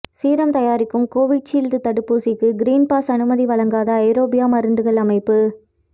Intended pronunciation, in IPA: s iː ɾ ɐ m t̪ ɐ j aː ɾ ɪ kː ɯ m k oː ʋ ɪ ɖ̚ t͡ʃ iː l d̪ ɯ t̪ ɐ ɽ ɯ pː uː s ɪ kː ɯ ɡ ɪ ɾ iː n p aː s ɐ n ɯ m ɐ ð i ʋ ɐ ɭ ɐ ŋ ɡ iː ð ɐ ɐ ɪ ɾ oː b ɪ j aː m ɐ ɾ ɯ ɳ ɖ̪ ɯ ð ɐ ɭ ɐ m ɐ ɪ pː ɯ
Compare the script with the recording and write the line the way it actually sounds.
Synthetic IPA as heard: s iː ɾ ɐ m t̪ ɐ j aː ɾ ɪ kː ɯ m k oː ʋ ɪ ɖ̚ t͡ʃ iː l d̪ ɯ t̪ ɐ ɽ ɯ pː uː s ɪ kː ɯ ɡ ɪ ɾ iː n p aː s ɐ n ɯ m ɐ ð i ʋ ɐ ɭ ɐ ŋ ɡ aː ð ɐ ɐ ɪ ɾ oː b ɪ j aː m ɐ ɾ ɯ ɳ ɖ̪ ɯ ɣ ɐ ɭ ɐ m ɐ ɪ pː ɯ